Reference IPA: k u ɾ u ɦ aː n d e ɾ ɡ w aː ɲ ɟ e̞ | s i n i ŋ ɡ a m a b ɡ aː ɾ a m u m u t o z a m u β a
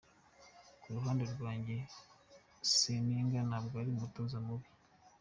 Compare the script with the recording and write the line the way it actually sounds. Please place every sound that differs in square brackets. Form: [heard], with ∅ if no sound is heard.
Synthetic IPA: k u ɾ u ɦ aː n d e ɾ ɡ w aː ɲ ɟ e̞ | s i n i ŋ ɡ a [n] a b ɡ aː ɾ [i] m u m u t o z a m u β [i]